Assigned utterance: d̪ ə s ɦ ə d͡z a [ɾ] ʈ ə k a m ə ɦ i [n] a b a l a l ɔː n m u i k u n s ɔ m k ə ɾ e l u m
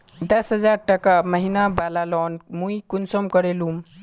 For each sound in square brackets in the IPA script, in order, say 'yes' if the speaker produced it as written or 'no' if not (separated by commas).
yes, yes